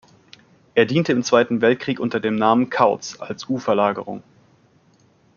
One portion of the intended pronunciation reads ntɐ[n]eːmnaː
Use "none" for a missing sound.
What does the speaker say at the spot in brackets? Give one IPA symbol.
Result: d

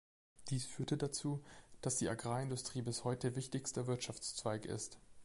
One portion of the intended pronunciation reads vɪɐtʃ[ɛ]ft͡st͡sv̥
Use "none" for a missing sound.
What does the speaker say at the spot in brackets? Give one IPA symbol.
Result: a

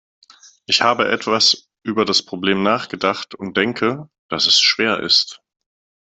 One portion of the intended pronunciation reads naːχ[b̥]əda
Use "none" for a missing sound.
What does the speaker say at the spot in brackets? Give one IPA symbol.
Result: ɡ̥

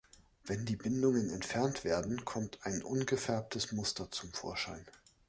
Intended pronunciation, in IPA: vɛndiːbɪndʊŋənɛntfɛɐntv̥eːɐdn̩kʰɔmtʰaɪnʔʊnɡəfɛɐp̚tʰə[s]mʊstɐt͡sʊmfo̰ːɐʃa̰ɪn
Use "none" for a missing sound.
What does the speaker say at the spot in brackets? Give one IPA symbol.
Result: s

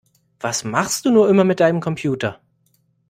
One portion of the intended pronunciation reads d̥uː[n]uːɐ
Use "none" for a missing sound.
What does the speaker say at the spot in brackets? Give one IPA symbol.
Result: n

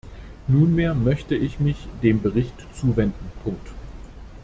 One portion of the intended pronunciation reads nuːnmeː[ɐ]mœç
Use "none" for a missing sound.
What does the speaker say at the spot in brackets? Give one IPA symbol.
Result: ɐ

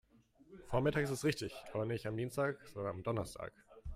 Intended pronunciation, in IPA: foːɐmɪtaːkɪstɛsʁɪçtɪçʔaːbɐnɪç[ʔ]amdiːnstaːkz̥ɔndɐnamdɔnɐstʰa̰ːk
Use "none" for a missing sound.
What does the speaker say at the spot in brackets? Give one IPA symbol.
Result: t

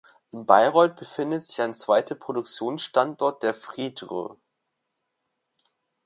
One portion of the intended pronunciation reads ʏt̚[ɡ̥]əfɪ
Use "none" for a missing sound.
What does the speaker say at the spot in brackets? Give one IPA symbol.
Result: b̥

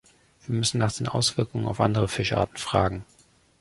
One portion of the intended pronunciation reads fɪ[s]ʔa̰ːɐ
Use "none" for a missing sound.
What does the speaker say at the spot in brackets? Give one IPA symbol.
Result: ʃ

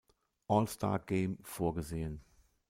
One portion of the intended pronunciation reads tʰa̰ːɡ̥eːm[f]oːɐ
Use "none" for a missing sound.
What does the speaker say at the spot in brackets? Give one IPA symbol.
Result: f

